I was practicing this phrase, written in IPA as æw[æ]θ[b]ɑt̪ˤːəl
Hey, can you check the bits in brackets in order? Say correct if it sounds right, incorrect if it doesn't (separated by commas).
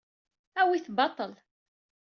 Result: incorrect, correct